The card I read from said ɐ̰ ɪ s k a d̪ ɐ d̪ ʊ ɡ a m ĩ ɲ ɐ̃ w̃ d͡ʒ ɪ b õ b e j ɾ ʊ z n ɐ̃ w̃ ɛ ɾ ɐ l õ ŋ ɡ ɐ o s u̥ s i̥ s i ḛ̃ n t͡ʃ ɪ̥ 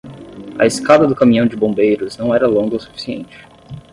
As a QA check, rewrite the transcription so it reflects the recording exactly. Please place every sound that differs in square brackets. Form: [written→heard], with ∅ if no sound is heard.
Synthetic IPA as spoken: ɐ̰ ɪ s k a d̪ ɐ d̪ ʊ [ɡ→k] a m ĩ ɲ ɐ̃ w̃ d͡ʒ ɪ b õ b e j ɾ ʊ z n ɐ̃ w̃ ɛ ɾ ɐ l õ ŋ ɡ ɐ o s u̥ [s→f] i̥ s i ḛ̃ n t͡ʃ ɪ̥